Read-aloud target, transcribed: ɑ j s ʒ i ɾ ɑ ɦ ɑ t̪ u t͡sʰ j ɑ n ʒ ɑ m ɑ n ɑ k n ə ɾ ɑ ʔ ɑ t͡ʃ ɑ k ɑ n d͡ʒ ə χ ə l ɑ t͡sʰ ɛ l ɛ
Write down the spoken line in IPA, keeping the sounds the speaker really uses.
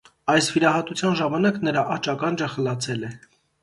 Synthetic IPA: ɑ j s v i ɾ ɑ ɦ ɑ t̪ u t͡sʰ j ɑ n ʒ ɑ m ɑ n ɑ k n ə ɾ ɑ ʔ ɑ t͡ʃ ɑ k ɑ n d͡ʒ ə χ ə l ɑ t͡sʰ ɛ l ɛ